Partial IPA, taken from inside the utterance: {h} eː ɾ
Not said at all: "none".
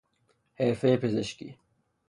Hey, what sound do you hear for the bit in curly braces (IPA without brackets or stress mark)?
h